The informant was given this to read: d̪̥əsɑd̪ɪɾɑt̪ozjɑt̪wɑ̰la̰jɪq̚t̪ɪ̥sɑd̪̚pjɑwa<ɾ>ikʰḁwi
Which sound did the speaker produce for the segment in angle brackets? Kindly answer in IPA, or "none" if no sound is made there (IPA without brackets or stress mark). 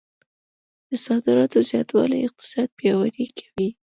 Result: ɾ